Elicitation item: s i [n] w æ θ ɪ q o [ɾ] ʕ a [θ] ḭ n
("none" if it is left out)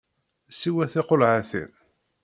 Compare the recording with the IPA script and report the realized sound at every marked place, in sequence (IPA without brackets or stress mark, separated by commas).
none, l, θ